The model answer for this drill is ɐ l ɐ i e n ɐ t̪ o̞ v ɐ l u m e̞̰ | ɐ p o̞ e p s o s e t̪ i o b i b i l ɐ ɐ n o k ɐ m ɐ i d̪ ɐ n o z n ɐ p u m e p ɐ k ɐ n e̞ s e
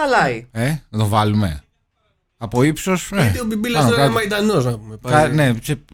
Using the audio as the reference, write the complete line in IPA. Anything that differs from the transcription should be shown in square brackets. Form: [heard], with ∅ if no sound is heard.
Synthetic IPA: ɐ l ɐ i e n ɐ t̪ o̞ v ɐ l u m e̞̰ | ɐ p o̞ [i] p s o s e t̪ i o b i b i l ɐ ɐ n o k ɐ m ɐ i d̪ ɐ n o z n ɐ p u m e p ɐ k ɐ n e̞ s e